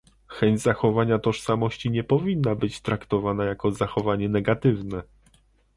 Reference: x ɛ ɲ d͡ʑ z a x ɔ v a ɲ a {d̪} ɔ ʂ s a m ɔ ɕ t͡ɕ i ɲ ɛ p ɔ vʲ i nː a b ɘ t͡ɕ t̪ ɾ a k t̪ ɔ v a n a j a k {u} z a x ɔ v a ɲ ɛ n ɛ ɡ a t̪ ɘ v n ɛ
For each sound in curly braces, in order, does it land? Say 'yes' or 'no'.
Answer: no, no

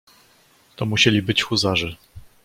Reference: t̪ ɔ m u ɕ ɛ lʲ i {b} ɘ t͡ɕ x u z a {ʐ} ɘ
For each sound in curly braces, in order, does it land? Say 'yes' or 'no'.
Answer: yes, yes

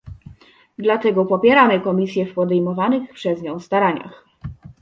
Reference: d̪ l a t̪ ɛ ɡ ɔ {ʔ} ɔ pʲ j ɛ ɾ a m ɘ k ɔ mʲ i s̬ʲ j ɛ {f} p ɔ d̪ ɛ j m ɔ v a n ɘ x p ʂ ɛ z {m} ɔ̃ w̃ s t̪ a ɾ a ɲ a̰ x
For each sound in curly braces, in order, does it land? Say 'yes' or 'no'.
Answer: no, yes, no

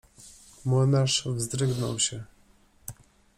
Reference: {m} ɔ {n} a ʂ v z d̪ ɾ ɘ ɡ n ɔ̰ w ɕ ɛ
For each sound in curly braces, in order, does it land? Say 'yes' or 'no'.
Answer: yes, yes

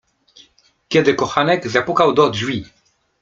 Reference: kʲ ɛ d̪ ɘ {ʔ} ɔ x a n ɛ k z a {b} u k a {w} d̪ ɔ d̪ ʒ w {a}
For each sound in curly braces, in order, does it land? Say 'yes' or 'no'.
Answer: no, no, yes, no

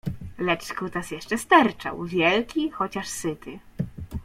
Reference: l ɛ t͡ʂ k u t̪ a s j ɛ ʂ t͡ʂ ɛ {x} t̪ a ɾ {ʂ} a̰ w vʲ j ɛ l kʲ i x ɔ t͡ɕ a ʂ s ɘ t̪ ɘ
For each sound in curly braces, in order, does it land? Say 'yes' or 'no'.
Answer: no, no

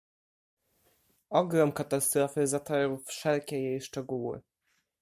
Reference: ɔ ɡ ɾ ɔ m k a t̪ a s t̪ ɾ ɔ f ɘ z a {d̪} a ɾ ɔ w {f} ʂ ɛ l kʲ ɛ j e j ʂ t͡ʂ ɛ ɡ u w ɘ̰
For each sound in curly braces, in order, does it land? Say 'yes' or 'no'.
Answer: no, yes

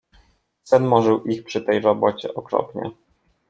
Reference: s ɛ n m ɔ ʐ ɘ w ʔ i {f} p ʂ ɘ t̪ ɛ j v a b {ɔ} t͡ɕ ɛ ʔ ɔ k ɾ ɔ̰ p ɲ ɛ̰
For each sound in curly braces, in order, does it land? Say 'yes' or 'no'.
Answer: no, yes

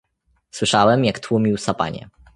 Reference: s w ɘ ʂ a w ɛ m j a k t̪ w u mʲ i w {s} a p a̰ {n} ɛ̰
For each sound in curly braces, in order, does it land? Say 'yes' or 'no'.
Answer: yes, no

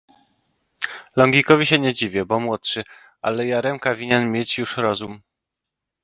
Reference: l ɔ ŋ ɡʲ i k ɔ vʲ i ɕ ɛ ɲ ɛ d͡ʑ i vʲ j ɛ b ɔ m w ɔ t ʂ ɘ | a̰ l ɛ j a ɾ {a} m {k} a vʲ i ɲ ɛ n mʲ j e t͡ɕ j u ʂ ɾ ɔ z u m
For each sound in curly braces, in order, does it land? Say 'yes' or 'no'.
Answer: no, yes

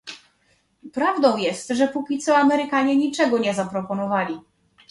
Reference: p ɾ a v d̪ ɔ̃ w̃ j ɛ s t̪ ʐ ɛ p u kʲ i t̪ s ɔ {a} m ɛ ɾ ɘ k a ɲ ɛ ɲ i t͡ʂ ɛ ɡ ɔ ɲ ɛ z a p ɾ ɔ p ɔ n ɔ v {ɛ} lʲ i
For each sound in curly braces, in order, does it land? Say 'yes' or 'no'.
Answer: yes, no

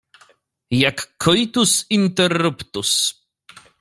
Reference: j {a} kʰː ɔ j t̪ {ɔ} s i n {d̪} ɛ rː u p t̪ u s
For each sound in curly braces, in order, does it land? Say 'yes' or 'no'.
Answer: yes, no, no

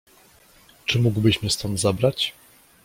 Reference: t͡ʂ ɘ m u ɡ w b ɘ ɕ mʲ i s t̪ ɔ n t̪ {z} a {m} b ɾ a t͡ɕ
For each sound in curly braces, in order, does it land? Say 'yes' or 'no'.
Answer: yes, no

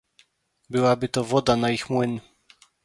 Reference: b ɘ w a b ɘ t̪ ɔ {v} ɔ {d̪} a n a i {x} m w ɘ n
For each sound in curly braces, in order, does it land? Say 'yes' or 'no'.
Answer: yes, yes, yes

